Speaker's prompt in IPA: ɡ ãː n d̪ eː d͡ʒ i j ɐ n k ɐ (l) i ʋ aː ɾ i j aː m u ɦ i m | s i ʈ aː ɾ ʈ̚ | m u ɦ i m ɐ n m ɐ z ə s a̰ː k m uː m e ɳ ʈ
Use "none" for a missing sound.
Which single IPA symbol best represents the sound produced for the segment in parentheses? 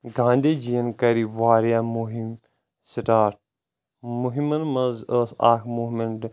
ɾ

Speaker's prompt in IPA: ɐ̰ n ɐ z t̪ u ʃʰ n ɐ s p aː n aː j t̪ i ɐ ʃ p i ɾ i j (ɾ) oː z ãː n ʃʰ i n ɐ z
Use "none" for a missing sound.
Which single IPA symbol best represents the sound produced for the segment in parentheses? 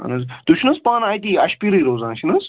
ɾ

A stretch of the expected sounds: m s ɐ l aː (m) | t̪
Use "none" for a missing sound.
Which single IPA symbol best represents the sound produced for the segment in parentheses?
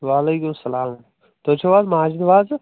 m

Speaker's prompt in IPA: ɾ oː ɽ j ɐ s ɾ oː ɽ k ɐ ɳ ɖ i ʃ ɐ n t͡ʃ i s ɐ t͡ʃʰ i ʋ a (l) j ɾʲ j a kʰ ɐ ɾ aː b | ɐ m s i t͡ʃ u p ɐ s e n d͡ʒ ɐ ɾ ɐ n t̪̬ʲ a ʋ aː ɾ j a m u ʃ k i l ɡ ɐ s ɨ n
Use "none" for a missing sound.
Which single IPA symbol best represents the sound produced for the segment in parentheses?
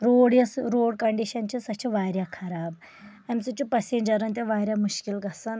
none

